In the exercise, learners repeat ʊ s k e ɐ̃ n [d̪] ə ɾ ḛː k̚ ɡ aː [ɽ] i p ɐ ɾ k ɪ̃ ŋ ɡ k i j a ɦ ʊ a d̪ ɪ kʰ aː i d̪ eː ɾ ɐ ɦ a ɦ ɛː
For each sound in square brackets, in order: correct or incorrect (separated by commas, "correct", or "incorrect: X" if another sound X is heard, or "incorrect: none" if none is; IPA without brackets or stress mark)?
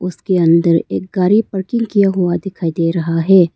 correct, incorrect: ɾ